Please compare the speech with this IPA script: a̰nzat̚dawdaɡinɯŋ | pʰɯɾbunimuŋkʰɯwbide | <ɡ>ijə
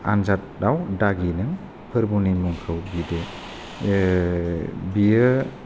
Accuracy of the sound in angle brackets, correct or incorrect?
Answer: incorrect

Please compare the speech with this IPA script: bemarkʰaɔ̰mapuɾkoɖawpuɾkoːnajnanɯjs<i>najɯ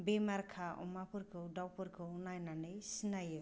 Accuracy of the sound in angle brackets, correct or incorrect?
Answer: correct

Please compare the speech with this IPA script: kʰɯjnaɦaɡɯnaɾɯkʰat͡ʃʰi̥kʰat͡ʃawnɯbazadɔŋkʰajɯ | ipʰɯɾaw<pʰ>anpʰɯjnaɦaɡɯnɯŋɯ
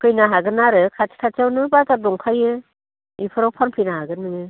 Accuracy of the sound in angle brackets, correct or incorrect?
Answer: correct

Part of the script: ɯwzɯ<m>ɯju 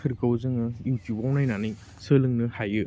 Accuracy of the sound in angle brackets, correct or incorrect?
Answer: incorrect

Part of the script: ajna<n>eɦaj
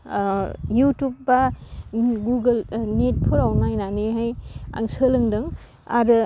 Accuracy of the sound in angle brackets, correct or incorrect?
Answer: correct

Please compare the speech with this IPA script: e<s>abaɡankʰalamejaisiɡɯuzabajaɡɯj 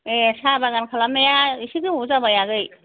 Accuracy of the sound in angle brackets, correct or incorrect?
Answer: correct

